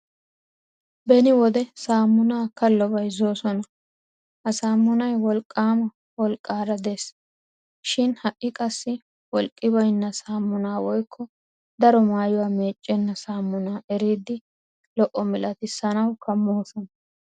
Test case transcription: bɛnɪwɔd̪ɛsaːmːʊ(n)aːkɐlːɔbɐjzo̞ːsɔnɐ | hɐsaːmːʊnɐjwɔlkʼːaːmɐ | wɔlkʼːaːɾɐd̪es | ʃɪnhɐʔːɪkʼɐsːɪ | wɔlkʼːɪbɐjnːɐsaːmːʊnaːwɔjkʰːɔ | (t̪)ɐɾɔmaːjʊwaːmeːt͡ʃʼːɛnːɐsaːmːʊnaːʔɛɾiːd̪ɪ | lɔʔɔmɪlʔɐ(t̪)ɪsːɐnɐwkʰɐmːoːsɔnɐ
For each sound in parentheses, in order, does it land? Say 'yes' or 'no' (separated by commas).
yes, no, yes